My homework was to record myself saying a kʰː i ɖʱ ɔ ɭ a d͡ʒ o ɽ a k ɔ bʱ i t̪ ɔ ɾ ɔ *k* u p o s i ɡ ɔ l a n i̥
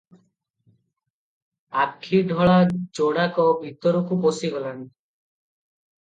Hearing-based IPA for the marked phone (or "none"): k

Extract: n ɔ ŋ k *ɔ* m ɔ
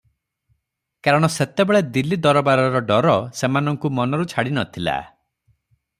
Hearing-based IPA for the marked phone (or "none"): u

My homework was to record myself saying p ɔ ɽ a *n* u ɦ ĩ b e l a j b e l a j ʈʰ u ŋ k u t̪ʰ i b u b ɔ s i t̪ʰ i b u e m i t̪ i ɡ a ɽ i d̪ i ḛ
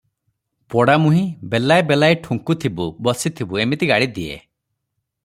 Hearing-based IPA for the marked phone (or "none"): m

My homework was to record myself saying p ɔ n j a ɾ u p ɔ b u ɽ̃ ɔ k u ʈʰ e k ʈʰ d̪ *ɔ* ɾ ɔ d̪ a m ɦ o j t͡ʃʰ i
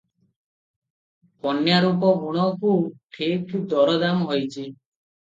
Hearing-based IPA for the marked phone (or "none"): ɔ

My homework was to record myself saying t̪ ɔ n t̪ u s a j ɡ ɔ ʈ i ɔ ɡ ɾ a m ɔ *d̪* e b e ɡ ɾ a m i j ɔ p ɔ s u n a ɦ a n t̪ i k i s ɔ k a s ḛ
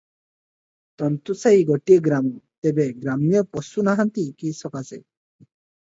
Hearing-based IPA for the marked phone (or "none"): t̪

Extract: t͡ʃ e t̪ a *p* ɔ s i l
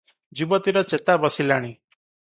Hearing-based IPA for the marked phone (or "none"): b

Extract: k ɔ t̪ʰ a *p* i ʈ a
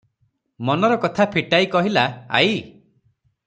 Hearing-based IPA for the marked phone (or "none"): pʰ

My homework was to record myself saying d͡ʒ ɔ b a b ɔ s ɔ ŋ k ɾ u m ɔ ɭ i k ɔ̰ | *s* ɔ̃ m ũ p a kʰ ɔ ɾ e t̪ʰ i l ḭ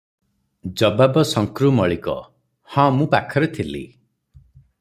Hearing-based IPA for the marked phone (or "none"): h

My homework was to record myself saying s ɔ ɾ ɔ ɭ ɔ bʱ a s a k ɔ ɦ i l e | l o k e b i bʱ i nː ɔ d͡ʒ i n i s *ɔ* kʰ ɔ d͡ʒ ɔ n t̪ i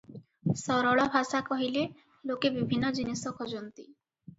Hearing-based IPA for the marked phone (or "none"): ɔ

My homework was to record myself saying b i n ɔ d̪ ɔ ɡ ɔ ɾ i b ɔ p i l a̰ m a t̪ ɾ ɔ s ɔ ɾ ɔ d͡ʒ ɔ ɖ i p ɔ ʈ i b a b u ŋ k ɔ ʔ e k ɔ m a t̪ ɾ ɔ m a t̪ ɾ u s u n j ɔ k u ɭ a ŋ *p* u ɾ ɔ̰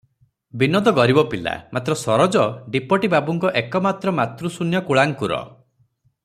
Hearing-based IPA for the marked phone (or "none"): k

